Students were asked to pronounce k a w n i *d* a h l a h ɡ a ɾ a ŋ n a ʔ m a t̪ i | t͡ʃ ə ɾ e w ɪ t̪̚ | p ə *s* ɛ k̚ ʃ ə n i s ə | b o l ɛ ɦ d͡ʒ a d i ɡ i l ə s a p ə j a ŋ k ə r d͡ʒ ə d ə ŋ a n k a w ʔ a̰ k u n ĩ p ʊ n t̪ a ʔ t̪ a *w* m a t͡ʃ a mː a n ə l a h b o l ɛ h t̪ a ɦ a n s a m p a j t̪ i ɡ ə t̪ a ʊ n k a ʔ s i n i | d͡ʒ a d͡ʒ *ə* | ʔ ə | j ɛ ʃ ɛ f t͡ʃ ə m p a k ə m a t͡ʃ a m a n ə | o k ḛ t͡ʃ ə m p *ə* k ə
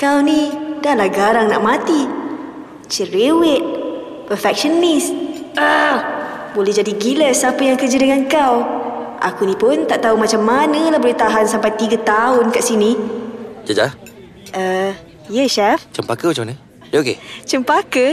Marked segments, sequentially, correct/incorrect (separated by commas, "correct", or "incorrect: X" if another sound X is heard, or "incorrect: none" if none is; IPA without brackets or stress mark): correct, incorrect: f, incorrect: u, incorrect: a, incorrect: a